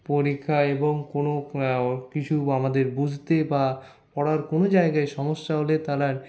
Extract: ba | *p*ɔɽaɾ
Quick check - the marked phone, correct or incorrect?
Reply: correct